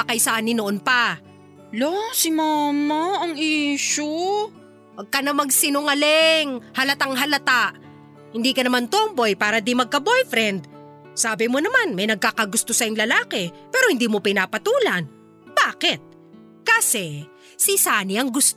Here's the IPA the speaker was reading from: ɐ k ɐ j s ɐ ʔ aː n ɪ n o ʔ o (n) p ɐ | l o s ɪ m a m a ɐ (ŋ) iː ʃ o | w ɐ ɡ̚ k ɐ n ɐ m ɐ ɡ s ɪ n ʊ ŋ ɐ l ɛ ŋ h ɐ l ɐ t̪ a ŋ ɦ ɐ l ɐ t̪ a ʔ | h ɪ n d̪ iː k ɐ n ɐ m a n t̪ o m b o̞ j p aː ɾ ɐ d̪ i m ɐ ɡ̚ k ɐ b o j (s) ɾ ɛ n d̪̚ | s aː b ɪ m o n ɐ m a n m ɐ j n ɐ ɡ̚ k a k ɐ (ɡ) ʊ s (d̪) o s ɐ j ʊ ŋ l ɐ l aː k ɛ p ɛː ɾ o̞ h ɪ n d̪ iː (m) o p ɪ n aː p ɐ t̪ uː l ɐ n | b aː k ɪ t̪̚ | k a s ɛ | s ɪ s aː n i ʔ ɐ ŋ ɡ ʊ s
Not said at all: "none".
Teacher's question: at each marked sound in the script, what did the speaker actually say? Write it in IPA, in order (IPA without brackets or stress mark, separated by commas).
n, ŋ, f, ɡ, t̪, m